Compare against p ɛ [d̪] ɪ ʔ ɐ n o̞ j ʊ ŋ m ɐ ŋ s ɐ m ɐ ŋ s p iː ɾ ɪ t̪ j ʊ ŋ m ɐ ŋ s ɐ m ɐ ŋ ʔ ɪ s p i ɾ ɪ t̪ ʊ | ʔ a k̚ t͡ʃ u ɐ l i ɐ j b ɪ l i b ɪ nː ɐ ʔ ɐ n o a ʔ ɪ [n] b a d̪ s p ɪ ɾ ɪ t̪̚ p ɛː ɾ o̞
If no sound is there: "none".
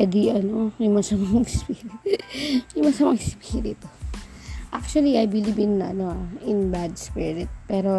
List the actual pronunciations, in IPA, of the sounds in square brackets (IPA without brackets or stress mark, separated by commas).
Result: d̪, n